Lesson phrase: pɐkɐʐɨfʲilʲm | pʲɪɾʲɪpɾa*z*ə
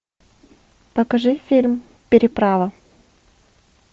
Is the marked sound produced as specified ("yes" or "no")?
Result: no